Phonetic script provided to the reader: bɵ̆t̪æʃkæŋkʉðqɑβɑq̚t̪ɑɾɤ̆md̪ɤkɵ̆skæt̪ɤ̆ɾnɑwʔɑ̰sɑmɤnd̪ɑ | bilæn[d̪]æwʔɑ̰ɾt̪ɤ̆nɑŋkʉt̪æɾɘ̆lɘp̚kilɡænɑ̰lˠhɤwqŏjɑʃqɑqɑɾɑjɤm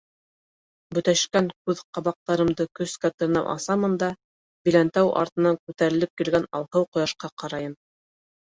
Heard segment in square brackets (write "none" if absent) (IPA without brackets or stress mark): t̪